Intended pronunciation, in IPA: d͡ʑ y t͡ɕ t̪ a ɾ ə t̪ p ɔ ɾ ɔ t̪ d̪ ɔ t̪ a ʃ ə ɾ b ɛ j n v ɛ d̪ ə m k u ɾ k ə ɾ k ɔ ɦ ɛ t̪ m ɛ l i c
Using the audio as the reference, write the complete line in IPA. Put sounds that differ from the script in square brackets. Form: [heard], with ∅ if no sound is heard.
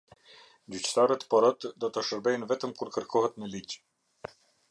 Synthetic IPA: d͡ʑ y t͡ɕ t̪ a ɾ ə t̪ p ɔ ɾ ɔ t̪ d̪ ɔ t̪ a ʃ ə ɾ b ɛ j n v ɛ [t̪] ə m k u ɾ k ə ɾ k ɔ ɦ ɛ t̪ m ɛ l i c